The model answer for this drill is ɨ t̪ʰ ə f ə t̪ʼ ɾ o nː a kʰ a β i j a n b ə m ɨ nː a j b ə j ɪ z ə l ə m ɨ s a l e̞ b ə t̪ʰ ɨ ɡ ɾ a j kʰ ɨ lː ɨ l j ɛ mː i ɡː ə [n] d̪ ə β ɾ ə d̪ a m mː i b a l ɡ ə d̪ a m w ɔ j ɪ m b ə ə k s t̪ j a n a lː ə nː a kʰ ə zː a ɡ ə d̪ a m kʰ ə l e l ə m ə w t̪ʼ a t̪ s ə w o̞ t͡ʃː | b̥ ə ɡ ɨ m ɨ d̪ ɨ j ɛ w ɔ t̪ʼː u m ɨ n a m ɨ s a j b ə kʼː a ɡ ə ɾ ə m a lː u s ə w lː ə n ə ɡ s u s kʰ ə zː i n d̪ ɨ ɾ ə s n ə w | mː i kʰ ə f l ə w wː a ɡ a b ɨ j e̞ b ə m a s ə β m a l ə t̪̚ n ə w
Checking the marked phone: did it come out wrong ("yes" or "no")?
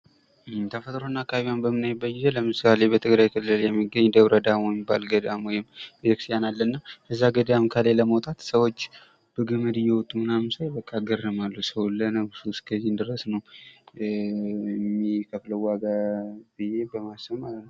yes